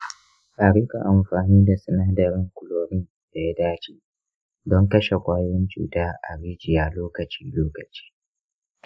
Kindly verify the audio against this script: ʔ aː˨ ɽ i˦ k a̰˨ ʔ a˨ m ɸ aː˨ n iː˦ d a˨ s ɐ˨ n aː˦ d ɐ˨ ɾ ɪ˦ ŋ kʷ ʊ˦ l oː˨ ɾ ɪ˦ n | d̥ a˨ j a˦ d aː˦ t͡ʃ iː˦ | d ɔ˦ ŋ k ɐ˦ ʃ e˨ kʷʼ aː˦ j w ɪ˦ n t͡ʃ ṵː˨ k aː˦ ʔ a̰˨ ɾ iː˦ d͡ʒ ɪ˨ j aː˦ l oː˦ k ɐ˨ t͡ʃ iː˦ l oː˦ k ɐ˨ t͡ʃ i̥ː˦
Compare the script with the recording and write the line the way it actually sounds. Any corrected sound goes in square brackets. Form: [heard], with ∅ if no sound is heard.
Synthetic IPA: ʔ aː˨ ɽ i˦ k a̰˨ ʔ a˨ m ɸ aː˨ n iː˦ d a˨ s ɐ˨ n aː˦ d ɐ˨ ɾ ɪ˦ ŋ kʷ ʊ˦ l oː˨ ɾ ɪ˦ n | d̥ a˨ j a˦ d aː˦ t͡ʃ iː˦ | d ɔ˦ ŋ k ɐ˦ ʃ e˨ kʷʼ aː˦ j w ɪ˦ n t͡ʃ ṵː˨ [t] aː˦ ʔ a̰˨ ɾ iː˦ d͡ʒ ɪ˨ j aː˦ l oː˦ k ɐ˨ t͡ʃ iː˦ l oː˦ k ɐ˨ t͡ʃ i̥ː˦